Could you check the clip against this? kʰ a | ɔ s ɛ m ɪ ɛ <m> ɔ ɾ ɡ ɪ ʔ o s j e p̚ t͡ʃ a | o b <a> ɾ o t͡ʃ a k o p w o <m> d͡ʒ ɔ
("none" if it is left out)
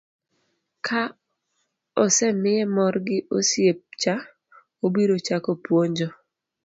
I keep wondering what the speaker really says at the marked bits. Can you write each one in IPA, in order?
m, i, ɲ

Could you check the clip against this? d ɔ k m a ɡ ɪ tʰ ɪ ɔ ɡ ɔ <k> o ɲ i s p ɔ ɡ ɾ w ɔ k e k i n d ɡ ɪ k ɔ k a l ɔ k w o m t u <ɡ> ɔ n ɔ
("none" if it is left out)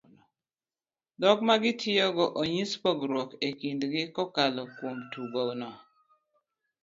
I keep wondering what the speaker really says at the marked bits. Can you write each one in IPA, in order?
ʔ, ɡ

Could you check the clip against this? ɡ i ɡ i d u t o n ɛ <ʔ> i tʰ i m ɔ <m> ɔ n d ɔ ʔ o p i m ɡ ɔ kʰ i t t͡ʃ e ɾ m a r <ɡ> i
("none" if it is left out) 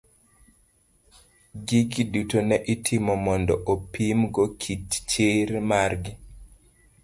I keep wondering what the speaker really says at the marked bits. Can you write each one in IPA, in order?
ʔ, m, ɡ

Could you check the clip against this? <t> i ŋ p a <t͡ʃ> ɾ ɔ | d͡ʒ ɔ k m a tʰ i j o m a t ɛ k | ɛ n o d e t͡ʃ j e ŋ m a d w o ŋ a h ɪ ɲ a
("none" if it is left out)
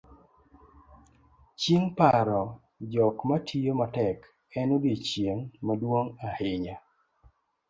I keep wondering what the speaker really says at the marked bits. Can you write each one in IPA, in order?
t͡ʃ, none

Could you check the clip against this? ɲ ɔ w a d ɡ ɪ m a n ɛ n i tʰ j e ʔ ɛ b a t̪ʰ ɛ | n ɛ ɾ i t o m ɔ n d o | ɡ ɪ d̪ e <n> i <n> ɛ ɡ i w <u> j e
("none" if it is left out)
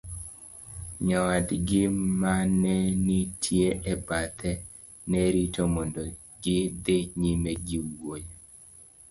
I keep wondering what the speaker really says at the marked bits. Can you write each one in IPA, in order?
ɲ, m, o

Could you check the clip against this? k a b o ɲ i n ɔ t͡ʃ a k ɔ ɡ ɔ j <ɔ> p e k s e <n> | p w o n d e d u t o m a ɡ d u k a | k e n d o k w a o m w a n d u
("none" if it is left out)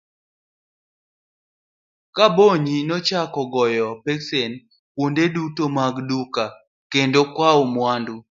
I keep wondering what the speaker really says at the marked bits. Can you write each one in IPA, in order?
ɔ, n

